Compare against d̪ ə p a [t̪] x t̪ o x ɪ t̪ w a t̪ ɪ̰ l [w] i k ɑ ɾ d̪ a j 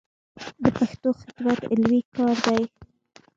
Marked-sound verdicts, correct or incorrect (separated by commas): incorrect, correct